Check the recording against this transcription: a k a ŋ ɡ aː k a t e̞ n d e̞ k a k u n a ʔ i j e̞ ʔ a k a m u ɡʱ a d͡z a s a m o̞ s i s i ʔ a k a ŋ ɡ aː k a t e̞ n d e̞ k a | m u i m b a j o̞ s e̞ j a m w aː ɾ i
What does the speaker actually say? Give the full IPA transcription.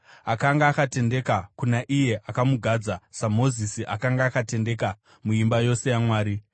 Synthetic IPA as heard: a k a ŋ ɡ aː k a t e̞ n d e̞ k a k u n a ʔ i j e̞ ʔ a k a m u ɡʱ a d͡z a s a m o̞ z i s i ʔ a k a ŋ ɡ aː k a t e̞ n d e̞ k a | m u i m b a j o̞ s e̞ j a m w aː ɾ i